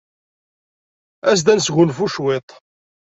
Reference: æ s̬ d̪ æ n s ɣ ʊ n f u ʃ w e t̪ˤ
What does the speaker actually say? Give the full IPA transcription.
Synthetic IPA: æ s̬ d̪ æ n s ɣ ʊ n f u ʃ w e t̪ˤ